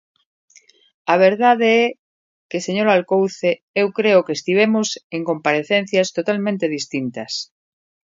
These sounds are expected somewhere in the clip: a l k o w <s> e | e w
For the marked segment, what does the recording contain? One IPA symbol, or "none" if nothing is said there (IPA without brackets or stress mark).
θ